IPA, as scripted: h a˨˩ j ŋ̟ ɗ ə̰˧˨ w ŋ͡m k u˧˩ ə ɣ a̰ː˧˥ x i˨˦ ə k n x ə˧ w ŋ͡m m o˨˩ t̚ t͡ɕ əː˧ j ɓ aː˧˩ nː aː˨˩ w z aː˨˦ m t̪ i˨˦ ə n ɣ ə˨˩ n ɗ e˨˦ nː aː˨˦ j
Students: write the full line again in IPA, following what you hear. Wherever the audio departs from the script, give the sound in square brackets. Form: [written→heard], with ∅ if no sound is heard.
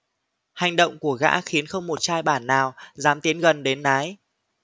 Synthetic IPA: h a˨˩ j ŋ̟ ɗ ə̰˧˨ w ŋ͡m k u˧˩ ə ɣ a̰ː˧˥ x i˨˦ ə [k→∅] n x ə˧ w ŋ͡m m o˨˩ t̚ t͡ɕ [əː˧→aː˧] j ɓ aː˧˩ nː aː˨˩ w z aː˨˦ m t̪ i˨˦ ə n ɣ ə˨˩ n ɗ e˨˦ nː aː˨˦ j